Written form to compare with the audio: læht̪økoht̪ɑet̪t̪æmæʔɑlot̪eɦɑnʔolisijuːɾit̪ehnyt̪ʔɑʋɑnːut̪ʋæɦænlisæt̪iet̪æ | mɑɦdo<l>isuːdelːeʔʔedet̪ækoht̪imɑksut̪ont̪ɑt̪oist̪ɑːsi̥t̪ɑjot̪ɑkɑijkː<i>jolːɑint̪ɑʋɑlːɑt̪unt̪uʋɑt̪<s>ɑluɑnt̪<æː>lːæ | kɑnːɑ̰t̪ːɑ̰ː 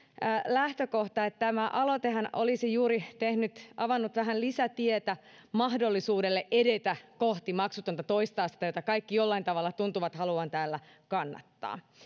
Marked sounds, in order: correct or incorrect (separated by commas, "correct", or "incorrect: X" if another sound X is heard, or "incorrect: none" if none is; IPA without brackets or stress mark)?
incorrect: lː, correct, incorrect: h, correct